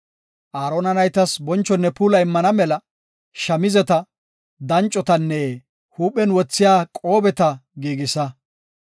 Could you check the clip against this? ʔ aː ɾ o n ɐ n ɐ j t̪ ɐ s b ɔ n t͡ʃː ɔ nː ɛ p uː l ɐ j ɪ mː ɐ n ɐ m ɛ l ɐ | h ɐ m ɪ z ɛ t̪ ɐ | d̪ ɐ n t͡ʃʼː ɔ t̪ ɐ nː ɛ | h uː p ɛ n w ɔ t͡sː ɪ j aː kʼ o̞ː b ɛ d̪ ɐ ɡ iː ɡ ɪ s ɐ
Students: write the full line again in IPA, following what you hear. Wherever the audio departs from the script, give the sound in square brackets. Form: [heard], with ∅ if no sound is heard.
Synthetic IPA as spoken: ʔ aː ɾ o n ɐ n ɐ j t̪ ɐ s b ɔ n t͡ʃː ɔ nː ɛ p uː l ɐ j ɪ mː ɐ n ɐ m ɛ l ɐ | [ʃ] ɐ m ɪ z ɛ t̪ ɐ | d̪ ɐ n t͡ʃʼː ɔ t̪ ɐ nː ɛ | h uː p ɛ n w ɔ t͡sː ɪ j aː kʼ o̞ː b ɛ [t̪] ɐ ɡ iː ɡ ɪ s ɐ